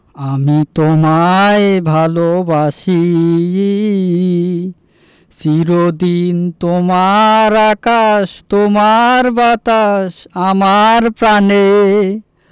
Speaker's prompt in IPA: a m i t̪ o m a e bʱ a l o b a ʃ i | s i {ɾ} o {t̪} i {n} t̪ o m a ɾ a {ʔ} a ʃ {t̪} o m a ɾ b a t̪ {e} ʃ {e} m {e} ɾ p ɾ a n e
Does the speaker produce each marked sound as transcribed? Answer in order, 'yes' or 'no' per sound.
yes, no, yes, no, yes, no, no, no

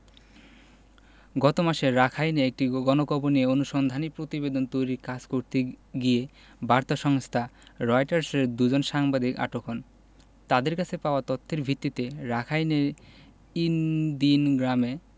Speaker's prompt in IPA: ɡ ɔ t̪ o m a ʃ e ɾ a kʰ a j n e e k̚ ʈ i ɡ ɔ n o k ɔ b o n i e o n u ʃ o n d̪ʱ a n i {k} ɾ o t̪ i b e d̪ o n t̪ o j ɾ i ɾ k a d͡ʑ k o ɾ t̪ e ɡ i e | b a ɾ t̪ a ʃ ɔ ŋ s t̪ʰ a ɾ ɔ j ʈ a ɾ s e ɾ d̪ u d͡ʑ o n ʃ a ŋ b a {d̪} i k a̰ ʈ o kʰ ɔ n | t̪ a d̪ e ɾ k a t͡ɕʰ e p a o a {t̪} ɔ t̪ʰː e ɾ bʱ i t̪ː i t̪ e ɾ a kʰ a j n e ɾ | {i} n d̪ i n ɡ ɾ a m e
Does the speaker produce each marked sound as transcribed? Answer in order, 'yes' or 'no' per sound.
no, yes, yes, yes

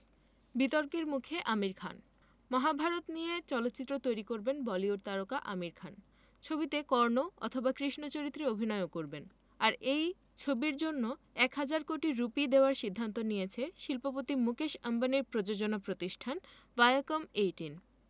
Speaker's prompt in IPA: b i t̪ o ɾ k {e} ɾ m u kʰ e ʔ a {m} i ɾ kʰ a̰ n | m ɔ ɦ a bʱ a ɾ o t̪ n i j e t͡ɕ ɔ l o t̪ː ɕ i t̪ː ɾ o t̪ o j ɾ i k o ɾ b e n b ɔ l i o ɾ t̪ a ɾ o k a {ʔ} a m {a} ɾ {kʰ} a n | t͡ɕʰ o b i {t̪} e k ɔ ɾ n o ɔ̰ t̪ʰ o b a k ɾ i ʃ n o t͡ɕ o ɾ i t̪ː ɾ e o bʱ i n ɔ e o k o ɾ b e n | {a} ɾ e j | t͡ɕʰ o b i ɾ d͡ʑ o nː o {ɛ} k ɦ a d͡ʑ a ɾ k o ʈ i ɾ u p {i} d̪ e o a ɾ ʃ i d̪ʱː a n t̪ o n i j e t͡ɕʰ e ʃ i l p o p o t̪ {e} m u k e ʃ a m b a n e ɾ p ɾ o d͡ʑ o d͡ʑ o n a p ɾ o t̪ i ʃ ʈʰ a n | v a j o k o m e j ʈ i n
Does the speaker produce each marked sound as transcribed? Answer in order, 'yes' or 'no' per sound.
yes, yes, yes, no, yes, yes, yes, yes, yes, no

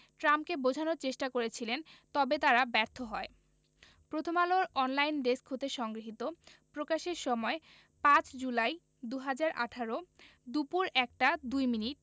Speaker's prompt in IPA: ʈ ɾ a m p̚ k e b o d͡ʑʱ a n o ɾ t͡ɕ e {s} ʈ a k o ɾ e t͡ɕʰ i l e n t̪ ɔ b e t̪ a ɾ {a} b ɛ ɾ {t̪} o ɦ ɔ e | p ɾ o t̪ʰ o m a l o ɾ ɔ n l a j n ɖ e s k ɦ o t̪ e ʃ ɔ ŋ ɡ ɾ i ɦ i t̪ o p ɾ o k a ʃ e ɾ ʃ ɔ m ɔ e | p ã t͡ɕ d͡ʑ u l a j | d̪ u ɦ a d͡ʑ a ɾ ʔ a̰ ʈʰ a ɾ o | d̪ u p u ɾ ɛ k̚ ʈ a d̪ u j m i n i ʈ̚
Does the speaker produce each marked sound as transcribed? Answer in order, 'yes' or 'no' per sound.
no, yes, no

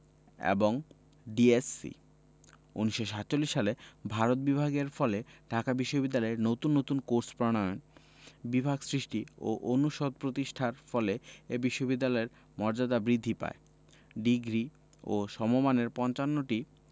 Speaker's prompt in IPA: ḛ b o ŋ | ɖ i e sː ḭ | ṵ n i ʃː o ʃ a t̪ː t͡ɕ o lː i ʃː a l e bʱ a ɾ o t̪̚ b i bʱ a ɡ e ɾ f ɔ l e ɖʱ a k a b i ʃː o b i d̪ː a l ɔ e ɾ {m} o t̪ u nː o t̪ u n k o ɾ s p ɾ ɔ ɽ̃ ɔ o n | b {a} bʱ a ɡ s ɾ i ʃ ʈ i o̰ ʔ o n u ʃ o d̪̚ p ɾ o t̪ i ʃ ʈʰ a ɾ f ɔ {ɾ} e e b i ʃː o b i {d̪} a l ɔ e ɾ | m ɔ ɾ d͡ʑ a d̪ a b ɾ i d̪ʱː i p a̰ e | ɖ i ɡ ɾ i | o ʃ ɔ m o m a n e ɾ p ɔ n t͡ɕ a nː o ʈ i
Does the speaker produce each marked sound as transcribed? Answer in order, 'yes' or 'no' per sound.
no, no, no, no

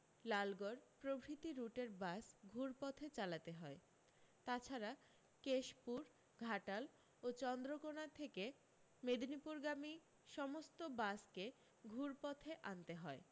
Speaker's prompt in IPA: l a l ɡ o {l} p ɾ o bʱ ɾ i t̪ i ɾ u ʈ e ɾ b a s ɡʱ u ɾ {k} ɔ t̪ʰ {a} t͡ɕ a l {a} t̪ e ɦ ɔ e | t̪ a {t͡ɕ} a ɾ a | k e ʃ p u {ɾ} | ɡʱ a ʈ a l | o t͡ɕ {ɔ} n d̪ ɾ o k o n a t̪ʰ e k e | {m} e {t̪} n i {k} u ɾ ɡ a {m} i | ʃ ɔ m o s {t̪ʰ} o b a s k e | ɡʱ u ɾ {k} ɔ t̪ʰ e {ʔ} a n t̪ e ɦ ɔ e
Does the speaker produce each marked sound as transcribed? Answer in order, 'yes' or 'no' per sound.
no, no, no, yes, no, yes, yes, yes, no, no, yes, no, no, yes

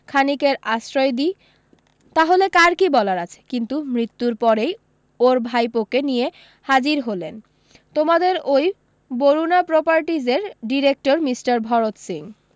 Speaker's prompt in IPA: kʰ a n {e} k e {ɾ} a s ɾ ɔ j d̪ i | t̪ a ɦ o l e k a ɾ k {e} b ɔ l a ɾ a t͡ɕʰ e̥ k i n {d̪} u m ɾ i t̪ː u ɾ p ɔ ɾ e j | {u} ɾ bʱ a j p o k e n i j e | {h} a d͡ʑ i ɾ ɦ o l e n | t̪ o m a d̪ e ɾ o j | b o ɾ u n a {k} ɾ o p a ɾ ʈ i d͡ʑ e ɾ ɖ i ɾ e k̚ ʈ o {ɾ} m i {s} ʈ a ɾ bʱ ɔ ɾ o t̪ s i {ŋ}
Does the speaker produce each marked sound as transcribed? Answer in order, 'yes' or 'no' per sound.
no, yes, no, no, no, yes, no, yes, yes, yes

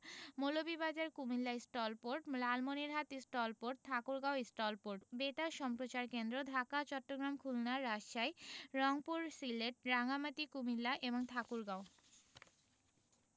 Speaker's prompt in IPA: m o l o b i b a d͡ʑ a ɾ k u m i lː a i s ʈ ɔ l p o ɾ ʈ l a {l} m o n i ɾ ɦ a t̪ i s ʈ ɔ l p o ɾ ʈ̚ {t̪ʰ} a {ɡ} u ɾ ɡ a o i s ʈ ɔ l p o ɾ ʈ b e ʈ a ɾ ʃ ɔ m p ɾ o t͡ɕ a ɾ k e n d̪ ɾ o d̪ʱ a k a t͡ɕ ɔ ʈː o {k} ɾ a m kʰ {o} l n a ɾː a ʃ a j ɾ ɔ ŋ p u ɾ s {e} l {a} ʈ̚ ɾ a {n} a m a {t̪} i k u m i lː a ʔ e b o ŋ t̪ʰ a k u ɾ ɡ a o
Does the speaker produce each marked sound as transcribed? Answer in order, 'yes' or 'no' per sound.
yes, yes, no, no, no, no, no, no, yes

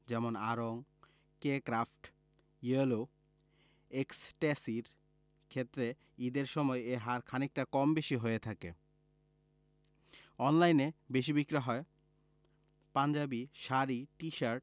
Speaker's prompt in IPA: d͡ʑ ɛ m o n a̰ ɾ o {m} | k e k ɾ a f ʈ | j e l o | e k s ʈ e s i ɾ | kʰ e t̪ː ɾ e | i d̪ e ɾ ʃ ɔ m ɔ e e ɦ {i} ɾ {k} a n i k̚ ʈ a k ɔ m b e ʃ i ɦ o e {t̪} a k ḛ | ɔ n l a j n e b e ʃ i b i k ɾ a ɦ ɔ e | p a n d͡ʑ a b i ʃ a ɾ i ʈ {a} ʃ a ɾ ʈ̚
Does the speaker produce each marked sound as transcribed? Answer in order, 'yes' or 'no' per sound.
no, no, no, no, no

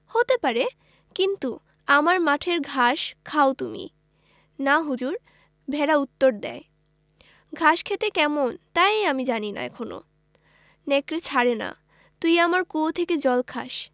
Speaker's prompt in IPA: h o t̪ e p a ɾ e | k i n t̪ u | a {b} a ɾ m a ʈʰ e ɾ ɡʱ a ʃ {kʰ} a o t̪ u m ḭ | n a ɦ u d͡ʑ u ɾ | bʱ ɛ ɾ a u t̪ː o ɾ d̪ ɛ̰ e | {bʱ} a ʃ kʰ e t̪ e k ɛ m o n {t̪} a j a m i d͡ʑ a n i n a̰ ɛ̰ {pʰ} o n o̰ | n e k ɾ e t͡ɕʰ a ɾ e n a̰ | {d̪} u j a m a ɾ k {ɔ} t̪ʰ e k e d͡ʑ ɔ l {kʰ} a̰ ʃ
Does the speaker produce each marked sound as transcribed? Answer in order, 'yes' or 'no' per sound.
no, yes, no, yes, no, no, no, yes

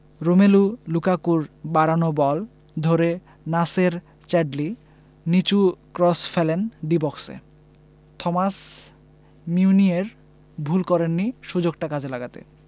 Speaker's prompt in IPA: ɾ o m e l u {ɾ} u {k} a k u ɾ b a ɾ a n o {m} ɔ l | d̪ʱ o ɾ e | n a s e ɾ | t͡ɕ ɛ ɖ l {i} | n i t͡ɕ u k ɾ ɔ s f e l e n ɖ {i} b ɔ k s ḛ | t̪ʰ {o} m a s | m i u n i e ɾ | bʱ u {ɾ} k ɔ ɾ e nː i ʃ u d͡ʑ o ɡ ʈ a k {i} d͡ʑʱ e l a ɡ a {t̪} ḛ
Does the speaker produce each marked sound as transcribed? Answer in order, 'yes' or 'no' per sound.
no, yes, no, yes, yes, no, no, no, yes

